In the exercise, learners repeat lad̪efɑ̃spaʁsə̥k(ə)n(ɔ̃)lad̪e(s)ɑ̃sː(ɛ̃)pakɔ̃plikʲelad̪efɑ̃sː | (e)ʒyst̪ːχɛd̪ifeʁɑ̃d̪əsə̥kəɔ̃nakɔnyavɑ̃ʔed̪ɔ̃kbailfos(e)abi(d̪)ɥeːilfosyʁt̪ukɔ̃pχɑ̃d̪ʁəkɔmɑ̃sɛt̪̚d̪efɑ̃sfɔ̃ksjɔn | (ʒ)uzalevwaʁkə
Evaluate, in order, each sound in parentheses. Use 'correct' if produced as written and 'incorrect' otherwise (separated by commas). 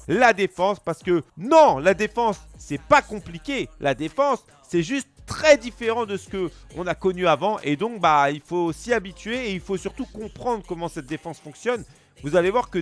correct, correct, incorrect, incorrect, incorrect, incorrect, incorrect, incorrect